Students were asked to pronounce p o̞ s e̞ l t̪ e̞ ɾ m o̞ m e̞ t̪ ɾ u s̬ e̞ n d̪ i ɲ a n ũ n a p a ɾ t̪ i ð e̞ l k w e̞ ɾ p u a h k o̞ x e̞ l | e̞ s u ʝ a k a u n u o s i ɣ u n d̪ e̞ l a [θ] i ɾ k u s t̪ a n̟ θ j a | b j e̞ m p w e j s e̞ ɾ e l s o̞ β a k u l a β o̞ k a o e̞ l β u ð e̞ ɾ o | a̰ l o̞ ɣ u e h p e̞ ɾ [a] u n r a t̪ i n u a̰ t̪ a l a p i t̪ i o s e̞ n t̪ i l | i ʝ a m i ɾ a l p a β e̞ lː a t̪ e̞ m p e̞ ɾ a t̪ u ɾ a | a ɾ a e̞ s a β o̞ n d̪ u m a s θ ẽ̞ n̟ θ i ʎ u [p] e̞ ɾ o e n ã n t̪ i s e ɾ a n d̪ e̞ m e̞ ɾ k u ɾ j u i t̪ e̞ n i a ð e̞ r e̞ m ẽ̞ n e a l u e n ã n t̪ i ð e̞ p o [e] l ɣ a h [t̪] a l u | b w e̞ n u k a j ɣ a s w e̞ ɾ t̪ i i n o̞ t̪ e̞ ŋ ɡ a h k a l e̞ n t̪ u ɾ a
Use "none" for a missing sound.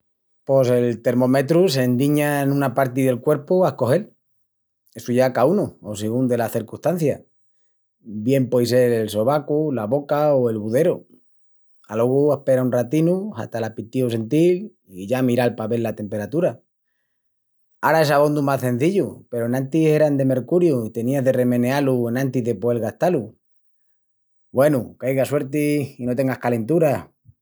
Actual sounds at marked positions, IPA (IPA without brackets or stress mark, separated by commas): θ, a, p, e, t̪